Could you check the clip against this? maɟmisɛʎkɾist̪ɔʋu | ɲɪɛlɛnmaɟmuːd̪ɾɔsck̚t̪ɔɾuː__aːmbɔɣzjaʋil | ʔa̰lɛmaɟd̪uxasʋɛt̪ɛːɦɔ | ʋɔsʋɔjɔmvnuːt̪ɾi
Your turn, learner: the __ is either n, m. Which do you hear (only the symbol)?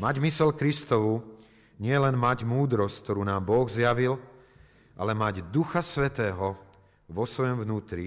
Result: n